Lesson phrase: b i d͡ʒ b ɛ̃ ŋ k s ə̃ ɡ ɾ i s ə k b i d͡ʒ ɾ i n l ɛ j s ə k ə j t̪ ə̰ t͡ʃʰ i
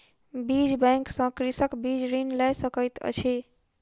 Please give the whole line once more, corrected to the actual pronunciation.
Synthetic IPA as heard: b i d͡ʒ b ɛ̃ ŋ k s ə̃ k ɾ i s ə k b i d͡ʒ ɾ i n l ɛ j s ə k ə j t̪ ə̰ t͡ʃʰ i

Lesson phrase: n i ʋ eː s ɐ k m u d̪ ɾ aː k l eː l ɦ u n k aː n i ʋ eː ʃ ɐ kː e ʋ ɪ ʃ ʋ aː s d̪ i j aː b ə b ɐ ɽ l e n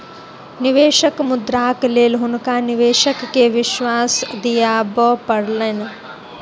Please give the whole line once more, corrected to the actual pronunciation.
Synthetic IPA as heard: n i ʋ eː ʃ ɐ k m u d̪ ɾ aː k l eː l ɦ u n k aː n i ʋ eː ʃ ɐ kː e ʋ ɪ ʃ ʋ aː s d̪ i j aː b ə p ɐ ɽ l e n

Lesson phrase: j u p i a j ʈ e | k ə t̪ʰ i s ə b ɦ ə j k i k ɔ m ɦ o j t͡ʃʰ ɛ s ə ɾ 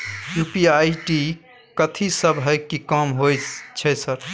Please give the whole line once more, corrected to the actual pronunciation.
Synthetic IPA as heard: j u p i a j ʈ i | k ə t̪ʰ i s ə b ɦ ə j k i k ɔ m ɦ o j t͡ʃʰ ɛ s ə ɾ

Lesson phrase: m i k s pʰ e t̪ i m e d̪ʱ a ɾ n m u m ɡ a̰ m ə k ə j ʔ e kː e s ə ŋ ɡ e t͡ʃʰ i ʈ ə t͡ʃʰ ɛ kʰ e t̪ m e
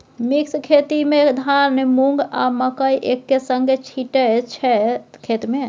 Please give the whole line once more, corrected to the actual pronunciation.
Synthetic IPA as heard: m i k s kʰ e t̪ i m e d̪ʱ a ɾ n m u ŋ ɡ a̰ m ə k ə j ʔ e kː e s ə ŋ ɡ e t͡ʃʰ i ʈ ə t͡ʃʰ ɛ kʰ e t̪ m e

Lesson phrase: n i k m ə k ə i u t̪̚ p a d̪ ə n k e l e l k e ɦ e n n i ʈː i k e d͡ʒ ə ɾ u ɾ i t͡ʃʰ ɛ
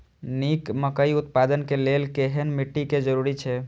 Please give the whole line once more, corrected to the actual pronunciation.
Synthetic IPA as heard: n i k m ə k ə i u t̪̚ p a d̪ ə n k e l e l k e ɦ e n m i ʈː i k e d͡ʒ ə ɾ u ɾ i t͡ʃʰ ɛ

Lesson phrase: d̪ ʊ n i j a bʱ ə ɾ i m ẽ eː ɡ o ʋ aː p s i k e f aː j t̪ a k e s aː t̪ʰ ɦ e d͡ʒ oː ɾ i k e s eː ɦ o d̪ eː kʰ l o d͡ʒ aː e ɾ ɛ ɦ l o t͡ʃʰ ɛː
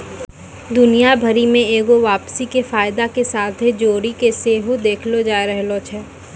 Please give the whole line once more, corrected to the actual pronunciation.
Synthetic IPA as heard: d̪ ʊ n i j a bʱ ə ɾ i m ẽ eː ɡ o ʋ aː p s i k e f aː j d̪ a k e s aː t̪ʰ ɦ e d͡ʒ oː ɾ i k e s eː ɦ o d̪ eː kʰ l o d͡ʒ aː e ɾ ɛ ɦ l o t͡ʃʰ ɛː

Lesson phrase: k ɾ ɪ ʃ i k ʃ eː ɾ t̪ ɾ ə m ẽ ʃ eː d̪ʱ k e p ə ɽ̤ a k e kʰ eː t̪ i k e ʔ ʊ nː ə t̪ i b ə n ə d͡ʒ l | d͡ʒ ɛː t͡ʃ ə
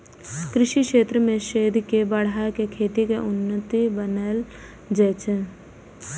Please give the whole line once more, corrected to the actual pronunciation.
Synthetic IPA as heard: k ɾ ɪ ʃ i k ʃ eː t̪ ɾ ə m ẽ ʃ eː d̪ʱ k e b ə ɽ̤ a k e kʰ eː t̪ i k e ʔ ʊ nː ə t̪ i b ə n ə l | d͡ʒ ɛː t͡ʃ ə

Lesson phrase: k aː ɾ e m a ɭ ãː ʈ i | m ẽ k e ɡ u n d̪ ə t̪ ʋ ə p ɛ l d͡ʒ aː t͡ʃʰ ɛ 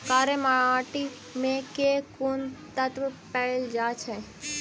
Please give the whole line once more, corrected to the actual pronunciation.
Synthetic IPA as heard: k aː ɾ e m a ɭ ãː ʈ i | m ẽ k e k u n t̪ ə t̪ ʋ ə p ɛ l d͡ʒ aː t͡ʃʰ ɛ

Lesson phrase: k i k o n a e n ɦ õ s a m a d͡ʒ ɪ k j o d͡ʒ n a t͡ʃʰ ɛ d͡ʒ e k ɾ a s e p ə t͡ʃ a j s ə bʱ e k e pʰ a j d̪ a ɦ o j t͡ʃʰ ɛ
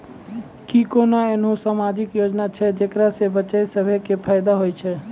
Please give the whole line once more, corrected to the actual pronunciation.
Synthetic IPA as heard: k i k o n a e n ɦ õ s a m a d͡ʒ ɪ k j o d͡ʒ n a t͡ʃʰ ɛ d͡ʒ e k ɾ a s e b ə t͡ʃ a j s ə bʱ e k e pʰ a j d̪ a ɦ o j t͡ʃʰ ɛ

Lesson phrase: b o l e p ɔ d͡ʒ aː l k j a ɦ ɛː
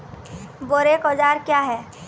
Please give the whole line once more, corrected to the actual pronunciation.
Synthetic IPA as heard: b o ɾ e k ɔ d͡ʒ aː ɾ k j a ɦ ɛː

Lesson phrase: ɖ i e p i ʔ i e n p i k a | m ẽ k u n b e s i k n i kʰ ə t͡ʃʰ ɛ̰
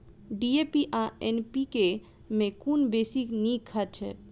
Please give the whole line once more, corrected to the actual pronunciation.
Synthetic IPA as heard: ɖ i e p i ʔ a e n p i k e | m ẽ k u n b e s i k n i kʰ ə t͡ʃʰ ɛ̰

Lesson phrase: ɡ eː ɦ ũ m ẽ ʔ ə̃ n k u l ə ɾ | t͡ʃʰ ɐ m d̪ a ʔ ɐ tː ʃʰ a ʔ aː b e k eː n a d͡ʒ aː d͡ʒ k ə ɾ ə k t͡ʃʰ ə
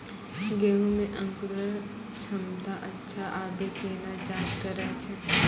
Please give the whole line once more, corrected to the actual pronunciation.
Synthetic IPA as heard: ɡ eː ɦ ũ m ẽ ʔ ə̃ ŋ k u ɾ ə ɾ | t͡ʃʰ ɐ m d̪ a ʔ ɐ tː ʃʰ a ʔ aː b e k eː n a d͡ʒ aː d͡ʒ k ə ɾ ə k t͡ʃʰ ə

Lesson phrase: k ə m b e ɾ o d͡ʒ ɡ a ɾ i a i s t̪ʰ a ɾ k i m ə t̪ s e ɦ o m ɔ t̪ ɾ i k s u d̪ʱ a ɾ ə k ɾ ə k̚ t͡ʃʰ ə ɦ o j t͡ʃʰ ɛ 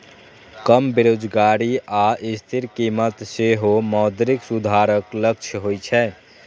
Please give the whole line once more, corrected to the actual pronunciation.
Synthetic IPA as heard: k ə m b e ɾ o d͡ʒ ɡ a ɾ i a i s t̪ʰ i ɾ k i m ə t̪ s e ɦ o m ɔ d̪ ɾ i k s u d̪ʱ a ɾ ə k l ə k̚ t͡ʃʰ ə ɦ o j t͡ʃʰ ɛ

